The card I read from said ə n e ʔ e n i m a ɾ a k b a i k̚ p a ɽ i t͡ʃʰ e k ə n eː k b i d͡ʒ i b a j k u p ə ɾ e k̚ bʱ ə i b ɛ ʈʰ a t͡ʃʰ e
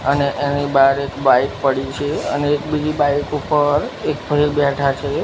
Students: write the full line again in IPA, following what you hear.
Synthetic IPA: ə n e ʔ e n i b a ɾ e k b a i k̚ p ə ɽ i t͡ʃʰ e ə n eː k b i d͡ʒ i b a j k u p ə ɾ e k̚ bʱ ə i b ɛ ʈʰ a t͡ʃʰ e

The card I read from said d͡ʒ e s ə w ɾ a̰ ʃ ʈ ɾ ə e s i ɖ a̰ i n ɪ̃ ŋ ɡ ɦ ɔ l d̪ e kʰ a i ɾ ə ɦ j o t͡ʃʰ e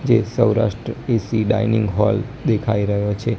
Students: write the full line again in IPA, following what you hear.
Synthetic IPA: d͡ʒ e s ə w ɾ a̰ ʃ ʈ ɾ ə e s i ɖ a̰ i n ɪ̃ ŋ ɡ ɦ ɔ l d̪ e kʰ a i ɾ ə ɦ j o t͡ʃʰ e

